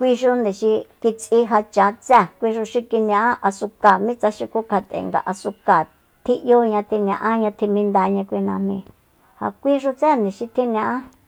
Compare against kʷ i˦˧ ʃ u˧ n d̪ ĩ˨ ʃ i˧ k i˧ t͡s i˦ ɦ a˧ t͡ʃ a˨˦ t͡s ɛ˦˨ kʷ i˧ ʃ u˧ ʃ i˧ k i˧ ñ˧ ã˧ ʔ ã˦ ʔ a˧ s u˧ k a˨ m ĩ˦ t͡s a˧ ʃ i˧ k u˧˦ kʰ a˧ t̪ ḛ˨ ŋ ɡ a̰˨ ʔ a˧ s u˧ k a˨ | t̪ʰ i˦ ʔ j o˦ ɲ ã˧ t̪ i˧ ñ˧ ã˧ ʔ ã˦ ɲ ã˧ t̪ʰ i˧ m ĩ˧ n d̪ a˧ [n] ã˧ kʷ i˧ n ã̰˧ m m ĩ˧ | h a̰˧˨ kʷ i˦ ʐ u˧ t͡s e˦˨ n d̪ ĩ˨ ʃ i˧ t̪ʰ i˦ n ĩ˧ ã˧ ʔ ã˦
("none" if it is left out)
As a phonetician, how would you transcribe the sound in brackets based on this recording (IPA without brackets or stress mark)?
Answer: ɲ